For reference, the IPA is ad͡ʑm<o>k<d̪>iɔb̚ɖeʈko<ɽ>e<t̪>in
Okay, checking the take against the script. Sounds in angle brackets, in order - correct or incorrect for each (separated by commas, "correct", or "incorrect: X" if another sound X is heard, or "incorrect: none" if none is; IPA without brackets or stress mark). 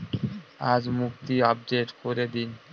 incorrect: u, incorrect: t̪, incorrect: ɾ, incorrect: d̪